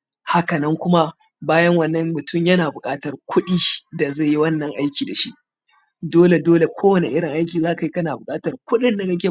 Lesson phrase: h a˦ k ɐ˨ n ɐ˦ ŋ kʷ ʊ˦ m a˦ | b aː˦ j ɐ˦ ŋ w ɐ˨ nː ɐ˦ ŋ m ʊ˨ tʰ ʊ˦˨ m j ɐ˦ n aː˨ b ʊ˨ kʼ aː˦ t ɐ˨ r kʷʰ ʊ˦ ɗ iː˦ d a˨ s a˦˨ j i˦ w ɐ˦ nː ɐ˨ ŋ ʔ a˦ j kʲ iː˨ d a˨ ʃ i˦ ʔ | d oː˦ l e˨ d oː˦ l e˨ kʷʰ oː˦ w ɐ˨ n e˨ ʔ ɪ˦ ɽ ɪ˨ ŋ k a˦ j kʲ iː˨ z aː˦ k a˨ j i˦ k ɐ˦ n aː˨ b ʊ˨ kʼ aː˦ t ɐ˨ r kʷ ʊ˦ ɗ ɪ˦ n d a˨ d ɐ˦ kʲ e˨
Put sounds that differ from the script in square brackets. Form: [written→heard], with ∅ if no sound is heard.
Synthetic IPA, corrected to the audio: h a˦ k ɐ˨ n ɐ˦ ŋ kʷ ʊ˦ m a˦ | b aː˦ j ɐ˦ ŋ w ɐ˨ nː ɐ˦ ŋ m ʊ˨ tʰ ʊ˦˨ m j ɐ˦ n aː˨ b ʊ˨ kʼ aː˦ t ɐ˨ r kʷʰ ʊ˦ ɗ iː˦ d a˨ [s→z] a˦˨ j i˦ w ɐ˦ nː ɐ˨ ŋ ʔ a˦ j kʲ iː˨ d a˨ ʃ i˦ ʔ | d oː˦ l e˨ d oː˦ l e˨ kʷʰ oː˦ w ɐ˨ n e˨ ʔ ɪ˦ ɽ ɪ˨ ŋ [k→ʔ] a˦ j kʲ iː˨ z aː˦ k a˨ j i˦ k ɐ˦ n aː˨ b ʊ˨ kʼ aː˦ t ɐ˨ r kʷ ʊ˦ ɗ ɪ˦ n d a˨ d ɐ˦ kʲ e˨